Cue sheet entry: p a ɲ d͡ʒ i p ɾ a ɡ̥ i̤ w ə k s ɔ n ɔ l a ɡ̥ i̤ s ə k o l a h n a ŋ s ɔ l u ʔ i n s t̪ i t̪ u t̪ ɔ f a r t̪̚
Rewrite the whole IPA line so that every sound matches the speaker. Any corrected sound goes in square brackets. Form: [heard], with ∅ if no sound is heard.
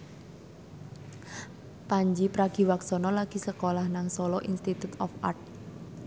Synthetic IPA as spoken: p a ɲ d͡ʒ i p ɾ a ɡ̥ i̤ w [a] k s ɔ n ɔ l a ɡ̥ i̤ s ə k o l a h n a ŋ s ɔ l [ɔ] ʔ i n s t̪ i t̪ u t̪ ɔ f a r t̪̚